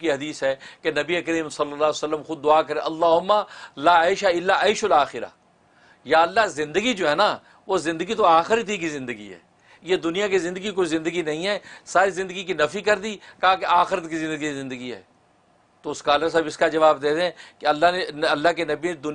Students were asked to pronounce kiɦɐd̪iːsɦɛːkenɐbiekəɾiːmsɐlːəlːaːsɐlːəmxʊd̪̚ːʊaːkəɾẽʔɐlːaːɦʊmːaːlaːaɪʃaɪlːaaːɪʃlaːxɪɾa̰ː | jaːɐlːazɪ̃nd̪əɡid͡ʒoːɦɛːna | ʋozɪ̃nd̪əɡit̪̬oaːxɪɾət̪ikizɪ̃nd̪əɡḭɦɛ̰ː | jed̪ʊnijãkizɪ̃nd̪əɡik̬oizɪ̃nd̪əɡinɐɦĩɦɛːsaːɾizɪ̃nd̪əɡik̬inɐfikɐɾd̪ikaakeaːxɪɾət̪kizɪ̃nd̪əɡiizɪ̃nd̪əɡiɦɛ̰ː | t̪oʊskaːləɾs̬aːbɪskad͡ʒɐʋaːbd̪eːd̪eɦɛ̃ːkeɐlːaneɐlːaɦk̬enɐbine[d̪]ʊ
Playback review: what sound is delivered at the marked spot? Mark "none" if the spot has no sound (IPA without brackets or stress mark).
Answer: d̪